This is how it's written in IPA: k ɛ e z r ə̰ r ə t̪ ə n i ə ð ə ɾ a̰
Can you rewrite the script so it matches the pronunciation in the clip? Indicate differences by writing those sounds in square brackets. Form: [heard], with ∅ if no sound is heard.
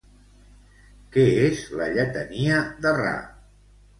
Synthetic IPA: k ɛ e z [l] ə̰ [ʎ] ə t̪ ə n i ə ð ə [r] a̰